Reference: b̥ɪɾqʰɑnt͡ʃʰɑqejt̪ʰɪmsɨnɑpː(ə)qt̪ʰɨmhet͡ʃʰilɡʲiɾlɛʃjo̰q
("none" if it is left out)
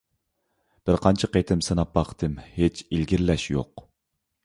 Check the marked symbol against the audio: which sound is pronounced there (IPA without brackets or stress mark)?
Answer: ɑ